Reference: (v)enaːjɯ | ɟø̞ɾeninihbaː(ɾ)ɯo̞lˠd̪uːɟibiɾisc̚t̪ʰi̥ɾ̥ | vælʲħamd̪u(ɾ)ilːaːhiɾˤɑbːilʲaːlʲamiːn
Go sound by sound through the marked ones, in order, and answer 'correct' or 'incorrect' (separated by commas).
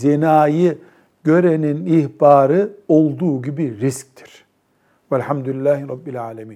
incorrect, correct, incorrect